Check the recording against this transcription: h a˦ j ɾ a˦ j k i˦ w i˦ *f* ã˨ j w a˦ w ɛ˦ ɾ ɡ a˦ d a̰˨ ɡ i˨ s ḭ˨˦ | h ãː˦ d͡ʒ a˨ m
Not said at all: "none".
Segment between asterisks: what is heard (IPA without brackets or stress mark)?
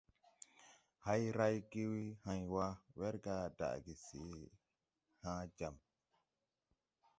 h